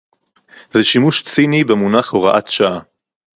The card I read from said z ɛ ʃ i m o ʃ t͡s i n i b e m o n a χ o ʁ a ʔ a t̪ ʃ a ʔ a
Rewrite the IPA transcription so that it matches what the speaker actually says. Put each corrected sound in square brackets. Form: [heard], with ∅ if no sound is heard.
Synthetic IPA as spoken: z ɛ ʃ i m [u] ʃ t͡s i n i b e m [u] n a χ o ʁ a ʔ a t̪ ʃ a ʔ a